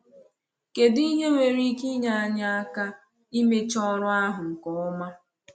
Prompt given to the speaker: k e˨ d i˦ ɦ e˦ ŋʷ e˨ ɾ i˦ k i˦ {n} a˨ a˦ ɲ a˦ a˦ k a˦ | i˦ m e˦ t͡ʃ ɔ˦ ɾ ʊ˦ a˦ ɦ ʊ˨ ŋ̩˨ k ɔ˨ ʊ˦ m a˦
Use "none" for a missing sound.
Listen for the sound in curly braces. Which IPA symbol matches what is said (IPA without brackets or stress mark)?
ɲ